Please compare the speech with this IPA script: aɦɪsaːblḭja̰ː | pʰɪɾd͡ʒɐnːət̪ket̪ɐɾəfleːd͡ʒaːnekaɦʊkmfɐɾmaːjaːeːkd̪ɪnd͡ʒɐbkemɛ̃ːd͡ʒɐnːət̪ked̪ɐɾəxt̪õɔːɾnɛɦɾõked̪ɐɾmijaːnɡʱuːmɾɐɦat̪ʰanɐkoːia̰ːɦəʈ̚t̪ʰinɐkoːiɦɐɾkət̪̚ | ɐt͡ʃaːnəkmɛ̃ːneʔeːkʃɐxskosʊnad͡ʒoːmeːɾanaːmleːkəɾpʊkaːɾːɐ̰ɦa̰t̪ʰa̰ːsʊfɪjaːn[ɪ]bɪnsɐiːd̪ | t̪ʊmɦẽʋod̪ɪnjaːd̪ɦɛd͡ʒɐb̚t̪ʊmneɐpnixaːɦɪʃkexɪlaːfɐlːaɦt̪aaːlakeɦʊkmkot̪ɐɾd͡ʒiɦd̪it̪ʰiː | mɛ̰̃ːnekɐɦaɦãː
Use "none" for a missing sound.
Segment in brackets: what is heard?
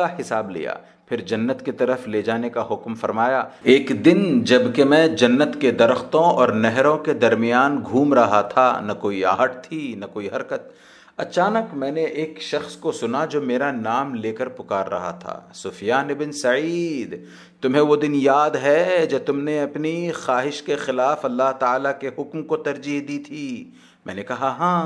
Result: ɪ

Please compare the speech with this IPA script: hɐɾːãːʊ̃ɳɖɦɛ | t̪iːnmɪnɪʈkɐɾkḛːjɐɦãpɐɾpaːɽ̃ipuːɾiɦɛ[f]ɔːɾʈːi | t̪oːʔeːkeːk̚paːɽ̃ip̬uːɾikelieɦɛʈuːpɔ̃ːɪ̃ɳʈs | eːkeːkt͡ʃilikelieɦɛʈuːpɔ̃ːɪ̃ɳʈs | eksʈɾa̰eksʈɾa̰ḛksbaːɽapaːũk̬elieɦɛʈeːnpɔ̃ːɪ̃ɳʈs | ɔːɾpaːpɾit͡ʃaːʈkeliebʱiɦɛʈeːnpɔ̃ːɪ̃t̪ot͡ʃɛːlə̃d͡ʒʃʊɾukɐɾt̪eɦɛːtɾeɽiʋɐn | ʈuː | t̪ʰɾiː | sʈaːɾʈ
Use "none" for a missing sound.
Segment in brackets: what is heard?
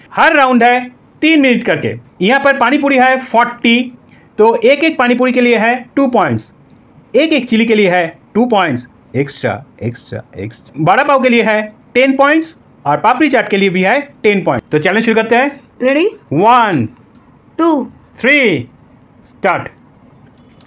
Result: f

